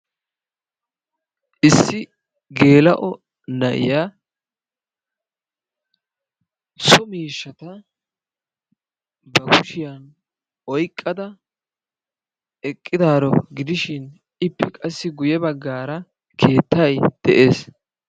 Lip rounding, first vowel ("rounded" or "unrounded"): unrounded